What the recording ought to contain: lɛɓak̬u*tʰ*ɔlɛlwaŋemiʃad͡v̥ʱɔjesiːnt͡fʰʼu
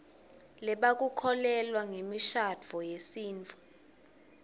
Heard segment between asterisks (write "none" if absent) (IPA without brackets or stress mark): kʰ